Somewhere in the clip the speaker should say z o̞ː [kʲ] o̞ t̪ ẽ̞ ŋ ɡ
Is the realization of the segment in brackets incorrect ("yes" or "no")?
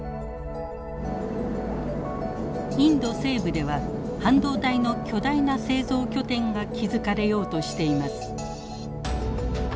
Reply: no